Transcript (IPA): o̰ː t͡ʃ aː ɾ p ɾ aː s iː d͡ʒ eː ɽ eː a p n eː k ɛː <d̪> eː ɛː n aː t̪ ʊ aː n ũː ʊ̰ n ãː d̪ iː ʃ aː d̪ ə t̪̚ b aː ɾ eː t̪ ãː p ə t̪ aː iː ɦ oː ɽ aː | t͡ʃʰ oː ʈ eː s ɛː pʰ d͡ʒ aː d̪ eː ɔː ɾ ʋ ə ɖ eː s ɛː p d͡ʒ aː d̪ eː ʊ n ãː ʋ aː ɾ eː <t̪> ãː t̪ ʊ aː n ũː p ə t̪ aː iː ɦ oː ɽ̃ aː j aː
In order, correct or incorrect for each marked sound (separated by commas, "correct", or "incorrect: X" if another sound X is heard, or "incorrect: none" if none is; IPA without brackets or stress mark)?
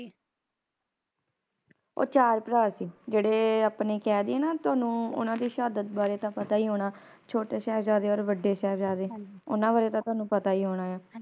correct, correct